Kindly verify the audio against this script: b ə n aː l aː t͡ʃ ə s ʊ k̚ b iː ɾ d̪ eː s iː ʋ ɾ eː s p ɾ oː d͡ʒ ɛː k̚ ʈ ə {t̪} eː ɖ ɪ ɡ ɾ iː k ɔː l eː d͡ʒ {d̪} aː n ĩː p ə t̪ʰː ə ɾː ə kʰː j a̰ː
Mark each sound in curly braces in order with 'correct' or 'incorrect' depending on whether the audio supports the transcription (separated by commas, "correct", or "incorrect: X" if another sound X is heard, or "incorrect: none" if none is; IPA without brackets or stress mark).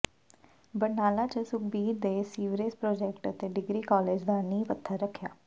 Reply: correct, correct